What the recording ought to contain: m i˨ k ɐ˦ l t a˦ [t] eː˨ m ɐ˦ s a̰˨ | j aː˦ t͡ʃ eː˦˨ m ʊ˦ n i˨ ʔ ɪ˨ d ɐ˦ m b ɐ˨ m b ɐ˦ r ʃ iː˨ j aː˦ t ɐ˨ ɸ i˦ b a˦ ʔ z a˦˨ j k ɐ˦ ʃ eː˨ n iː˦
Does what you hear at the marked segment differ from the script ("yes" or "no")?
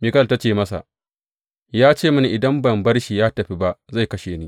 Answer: yes